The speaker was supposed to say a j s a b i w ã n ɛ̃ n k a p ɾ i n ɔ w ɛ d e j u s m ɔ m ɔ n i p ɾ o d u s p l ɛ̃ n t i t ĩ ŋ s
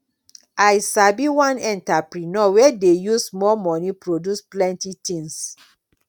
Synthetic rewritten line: a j s a b i w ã n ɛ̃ n t a p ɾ i n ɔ w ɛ d e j u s m ɔ m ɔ n i p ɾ o d u s p l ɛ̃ n t i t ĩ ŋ s